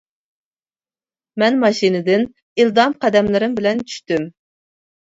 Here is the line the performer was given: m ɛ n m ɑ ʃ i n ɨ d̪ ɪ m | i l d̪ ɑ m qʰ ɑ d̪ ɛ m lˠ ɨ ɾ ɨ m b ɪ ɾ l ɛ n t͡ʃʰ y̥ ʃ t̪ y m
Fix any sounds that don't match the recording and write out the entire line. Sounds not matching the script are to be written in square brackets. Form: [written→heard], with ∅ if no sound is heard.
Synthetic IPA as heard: m ɛ n m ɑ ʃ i n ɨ d̪ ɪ [m→n] | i l d̪ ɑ m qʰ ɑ d̪ ɛ m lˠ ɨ ɾ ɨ m b ɪ [ɾ→∅] l ɛ n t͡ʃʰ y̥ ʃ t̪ y m